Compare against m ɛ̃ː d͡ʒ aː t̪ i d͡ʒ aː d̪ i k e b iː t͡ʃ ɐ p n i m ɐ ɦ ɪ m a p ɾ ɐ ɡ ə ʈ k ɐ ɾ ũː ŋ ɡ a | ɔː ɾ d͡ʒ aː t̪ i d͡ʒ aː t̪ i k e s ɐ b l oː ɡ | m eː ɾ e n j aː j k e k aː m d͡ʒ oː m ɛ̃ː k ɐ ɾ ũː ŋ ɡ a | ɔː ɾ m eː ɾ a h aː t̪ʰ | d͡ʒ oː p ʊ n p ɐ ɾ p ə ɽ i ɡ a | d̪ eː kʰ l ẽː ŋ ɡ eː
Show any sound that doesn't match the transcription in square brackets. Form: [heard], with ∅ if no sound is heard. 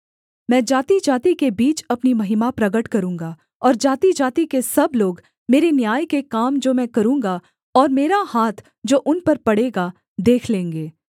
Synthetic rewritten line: m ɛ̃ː d͡ʒ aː t̪ i d͡ʒ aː [t̪] i k e b iː t͡ʃ ɐ p n i m ɐ ɦ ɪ m a p ɾ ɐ ɡ ə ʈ k ɐ ɾ ũː ŋ ɡ a | ɔː ɾ d͡ʒ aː t̪ i d͡ʒ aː t̪ i k e s ɐ b l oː ɡ | m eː ɾ e n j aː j k e k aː m d͡ʒ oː m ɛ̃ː k ɐ ɾ ũː ŋ ɡ a | ɔː ɾ m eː ɾ a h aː t̪ʰ | d͡ʒ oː [ʔ] ʊ n p ɐ ɾ p [ɐ] ɽ [e] ɡ a | d̪ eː kʰ l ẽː ŋ ɡ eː

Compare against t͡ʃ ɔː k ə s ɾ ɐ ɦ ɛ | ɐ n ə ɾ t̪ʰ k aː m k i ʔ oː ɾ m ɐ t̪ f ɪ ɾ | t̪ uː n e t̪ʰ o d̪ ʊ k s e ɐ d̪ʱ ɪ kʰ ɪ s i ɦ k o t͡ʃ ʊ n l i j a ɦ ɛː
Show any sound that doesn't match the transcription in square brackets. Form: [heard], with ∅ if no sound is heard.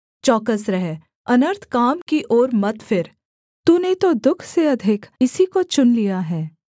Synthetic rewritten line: t͡ʃ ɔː k ə s ɾ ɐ ɦ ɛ | ɐ n ə ɾ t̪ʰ k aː m k i ʔ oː ɾ m ɐ t̪ f ɪ ɾ | t̪ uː n e [t̪] o d̪ ʊ [kʰ] s e ɐ d̪ʱ ɪ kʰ ɪ s i [∅] k o t͡ʃ ʊ n l i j a ɦ ɛː

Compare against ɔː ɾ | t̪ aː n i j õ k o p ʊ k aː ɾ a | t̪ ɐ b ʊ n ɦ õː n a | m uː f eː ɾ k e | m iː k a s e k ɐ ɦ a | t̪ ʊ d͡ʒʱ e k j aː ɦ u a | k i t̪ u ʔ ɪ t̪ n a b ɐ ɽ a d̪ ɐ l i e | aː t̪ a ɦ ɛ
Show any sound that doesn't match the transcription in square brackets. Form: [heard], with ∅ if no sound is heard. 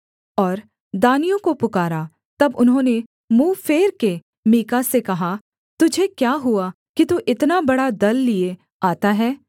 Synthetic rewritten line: ɔː ɾ | [d̪] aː n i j õ k o p ʊ k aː ɾ a | t̪ ɐ b ʊ n ɦ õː n [e] | m uː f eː ɾ k e | m iː k a s e k ɐ ɦ a | t̪ ʊ d͡ʒʱ e k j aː ɦ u a | k i t̪ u ʔ ɪ t̪ n a b ɐ ɽ a d̪ ɐ [lː] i e | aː t̪ a ɦ [ɛː]

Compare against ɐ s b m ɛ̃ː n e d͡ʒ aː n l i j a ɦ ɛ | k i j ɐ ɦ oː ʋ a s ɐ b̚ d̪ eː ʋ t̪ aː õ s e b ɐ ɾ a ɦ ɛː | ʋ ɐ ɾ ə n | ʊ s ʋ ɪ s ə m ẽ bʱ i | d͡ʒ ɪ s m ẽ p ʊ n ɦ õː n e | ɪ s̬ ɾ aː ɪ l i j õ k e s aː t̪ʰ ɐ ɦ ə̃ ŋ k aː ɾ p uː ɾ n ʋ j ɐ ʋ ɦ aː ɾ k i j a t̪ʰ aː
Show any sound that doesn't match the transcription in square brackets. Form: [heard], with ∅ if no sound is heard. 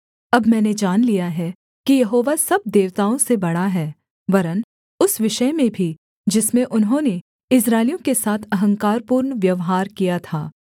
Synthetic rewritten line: ɐ [∅] b m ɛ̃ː n e d͡ʒ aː n l i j a ɦ ɛ | k i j ɐ ɦ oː ʋ a s ɐ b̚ d̪ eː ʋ t̪ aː õ s e b ɐ [ɽ] a ɦ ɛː | ʋ ɐ ɾ ə n | ʊ s ʋ ɪ [ʃ] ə m ẽ bʱ i | d͡ʒ ɪ s m ẽ [ʔ] ʊ n ɦ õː n e | ɪ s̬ ɾ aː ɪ l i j õ k e s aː t̪ʰ ɐ ɦ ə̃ ŋ k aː ɾ p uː ɾ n ʋ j ɐ ʋ ɦ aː ɾ k i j a t̪ʰ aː

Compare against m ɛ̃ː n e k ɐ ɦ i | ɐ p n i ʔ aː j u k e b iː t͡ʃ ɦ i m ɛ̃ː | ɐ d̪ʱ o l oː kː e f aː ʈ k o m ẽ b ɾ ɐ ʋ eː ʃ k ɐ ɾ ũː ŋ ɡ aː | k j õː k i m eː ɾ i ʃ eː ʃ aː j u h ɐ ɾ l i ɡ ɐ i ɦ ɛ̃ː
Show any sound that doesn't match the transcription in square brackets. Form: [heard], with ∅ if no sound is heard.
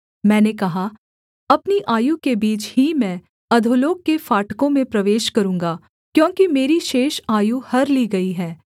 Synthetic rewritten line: m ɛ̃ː n e k ɐ ɦ [a] | ɐ p n i ʔ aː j u k e b iː t͡ʃ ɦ i m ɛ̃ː | ɐ d̪ʱ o l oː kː e f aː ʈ k [õ] m ẽ [p] ɾ ɐ ʋ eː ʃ k ɐ ɾ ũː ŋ ɡ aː | k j õː k i m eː ɾ i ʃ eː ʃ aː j u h ɐ ɾ l i ɡ ɐ i ɦ [ɛː]

